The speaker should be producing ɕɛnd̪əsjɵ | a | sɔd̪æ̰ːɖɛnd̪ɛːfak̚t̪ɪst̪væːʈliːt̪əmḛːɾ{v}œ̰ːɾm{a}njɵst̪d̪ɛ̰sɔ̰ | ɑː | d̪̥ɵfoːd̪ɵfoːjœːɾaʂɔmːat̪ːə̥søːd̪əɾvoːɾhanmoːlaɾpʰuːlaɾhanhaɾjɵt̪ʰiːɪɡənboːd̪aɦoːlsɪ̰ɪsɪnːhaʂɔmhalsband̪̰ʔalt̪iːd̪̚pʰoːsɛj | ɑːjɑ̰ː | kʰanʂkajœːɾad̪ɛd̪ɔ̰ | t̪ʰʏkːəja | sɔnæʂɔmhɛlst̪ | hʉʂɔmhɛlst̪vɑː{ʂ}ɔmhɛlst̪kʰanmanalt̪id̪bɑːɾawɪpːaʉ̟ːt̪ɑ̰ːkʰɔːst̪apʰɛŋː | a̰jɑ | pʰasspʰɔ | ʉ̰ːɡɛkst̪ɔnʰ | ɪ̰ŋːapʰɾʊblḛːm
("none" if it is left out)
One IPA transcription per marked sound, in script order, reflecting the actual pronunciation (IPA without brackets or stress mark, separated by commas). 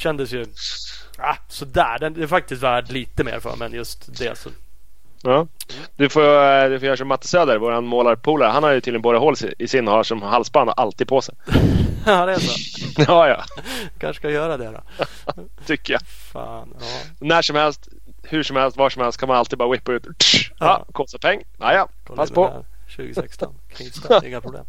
f, ɛ, ʂ